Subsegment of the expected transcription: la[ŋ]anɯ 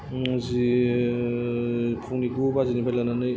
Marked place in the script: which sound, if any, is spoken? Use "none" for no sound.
n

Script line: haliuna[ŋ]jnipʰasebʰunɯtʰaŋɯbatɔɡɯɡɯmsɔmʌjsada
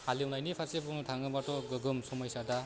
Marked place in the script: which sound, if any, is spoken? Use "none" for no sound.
none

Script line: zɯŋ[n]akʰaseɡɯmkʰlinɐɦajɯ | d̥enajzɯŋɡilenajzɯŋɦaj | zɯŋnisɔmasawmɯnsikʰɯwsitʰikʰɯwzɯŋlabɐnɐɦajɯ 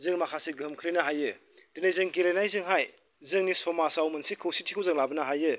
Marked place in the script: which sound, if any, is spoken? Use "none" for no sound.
m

